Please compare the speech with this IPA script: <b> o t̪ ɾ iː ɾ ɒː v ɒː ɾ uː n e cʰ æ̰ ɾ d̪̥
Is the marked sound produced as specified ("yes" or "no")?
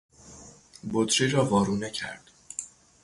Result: yes